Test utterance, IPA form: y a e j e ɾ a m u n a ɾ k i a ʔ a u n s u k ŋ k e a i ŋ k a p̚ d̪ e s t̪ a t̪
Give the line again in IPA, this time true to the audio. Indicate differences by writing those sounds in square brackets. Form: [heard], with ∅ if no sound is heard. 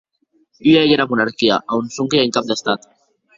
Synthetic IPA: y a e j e ɾ a m u n a ɾ k i a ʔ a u n s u [∅] ŋ k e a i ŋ k a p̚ d̪ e s t̪ a t̪